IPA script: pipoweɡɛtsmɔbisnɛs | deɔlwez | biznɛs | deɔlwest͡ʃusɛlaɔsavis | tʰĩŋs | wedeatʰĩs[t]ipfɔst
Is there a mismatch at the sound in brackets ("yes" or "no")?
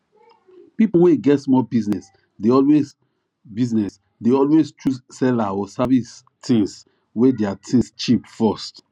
yes